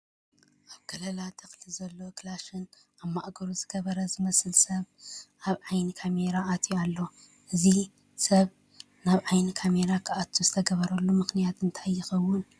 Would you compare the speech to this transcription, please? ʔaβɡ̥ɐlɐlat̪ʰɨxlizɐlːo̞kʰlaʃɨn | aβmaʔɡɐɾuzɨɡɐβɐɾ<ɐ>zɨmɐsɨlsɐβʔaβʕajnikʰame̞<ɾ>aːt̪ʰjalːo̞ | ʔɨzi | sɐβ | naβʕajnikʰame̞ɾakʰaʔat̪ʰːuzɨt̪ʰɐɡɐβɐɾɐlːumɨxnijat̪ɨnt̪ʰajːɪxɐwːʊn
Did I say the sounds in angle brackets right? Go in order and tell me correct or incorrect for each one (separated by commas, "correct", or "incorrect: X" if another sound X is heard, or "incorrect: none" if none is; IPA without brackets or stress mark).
correct, correct